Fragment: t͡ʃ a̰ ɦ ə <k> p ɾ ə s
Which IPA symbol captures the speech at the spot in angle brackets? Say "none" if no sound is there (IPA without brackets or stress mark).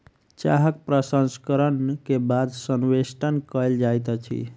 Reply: k